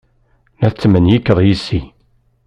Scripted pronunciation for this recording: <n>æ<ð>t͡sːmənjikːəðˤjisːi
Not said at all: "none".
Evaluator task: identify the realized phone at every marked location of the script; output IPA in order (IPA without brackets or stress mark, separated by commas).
n, θ